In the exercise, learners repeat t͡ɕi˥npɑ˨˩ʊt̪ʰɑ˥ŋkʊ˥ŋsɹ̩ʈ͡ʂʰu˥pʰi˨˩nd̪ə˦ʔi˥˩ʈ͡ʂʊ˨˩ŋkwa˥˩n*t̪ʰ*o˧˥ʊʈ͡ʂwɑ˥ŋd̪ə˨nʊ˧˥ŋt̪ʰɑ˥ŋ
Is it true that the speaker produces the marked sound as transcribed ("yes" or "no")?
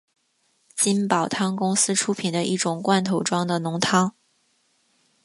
yes